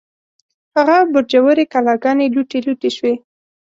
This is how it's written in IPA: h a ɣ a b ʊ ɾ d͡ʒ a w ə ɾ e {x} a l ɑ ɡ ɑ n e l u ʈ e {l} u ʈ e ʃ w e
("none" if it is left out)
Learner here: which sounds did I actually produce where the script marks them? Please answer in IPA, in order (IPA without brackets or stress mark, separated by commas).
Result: k, l